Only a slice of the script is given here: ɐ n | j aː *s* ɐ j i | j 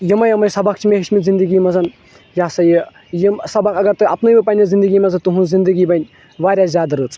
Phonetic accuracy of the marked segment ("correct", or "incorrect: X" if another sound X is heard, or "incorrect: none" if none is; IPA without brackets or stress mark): correct